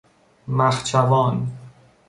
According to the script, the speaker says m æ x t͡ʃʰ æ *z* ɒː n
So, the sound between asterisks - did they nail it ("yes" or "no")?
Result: no